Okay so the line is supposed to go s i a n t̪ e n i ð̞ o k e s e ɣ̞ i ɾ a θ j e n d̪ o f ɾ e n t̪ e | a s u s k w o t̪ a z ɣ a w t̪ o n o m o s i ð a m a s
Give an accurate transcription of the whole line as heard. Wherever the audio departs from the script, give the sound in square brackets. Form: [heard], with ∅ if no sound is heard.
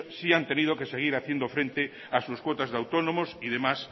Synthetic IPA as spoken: s i a n t̪ e n i ð̞ o k e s e ɣ̞ i ɾ a θ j e n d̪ o f ɾ e n t̪ e | a s u s k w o t̪ a z [ð] a w t̪ o n o m o s i ð [e] m a s